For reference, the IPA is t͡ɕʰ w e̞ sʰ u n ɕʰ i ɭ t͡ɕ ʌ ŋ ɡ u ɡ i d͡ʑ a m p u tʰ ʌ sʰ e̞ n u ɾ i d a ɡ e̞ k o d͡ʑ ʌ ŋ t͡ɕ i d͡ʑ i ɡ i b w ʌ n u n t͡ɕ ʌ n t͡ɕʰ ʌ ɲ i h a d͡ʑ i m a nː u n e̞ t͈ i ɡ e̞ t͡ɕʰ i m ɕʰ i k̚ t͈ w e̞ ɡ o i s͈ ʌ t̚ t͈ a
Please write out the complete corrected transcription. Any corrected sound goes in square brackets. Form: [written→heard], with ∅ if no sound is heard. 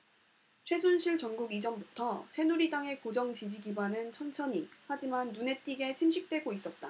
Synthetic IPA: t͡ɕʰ w e̞ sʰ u n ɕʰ i ɭ t͡ɕ ʌ ŋ ɡ u ɡ i d͡ʑ [a→ʌ] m [p→b] u tʰ ʌ sʰ e̞ n u ɾ i d a [ɡ→ŋ] e̞ k o d͡ʑ ʌ ŋ t͡ɕ i d͡ʑ i ɡ i b w [ʌ→a] n [u→ɯ] n [t͡ɕ→t͡ɕʰ] ʌ n t͡ɕʰ ʌ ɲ i h a d͡ʑ i m a nː u n e̞ t͈ i ɡ e̞ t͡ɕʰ i m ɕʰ i k̚ t͈ w e̞ ɡ o i s͈ ʌ t̚ t͈ a